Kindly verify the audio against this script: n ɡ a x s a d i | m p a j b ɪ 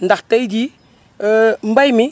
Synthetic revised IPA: n d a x t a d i | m b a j m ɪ